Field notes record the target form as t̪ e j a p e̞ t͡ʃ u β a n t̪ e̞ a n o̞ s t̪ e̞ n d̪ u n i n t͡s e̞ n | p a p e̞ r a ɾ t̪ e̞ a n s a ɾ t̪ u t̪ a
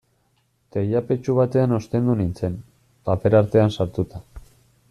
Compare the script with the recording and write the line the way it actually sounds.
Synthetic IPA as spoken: t̪ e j a p e̞ t͡ʃ u β a t̪ e̞ a n o̞ s t̪ e̞ n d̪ u n i n t͡s e̞ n | p a p e̞ ɾ a ɾ t̪ e̞ a n s a ɾ t̪ u t̪ a